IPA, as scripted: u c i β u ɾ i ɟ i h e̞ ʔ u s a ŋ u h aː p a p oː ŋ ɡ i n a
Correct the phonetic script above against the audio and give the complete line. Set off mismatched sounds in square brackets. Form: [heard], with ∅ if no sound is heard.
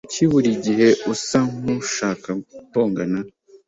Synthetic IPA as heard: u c i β u ɾ i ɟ i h e̞ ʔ u s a ŋ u [ʃ] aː [k] a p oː ŋ ɡ [a] n a

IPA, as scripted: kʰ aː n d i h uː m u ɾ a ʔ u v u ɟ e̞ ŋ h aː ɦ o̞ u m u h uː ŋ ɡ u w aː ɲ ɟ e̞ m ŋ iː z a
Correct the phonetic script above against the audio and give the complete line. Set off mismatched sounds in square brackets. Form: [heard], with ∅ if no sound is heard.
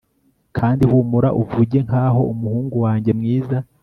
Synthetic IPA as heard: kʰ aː n d i h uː m u ɾ a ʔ u v u ɟ e̞ ŋ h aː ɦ o̞ u m u h uː ŋ ɡ u w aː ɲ ɟ e̞ m ŋ iː z a

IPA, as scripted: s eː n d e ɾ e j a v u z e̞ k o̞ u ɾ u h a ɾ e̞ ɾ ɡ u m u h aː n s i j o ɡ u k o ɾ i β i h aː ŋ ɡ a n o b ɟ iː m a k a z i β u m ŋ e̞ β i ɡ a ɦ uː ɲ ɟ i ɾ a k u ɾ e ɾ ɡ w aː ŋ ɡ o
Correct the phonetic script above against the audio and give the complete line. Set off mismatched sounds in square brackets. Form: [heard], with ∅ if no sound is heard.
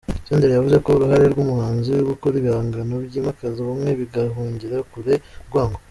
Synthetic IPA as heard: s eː n d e ɾ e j a v u z e̞ k o̞ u ɾ u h a ɾ e̞ ɾ ɡ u m u h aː n [z] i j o ɡ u k o ɾ i β i h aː ŋ ɡ a n o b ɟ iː m a k a z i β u m ŋ e̞ β i ɡ a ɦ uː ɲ ɟ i ɾ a k u ɾ e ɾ ɡ w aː ŋ ɡ o

